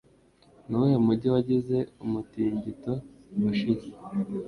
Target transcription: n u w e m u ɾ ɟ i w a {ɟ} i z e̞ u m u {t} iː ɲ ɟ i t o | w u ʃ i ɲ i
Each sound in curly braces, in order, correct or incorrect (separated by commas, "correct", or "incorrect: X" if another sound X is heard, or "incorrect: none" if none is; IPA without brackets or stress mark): correct, correct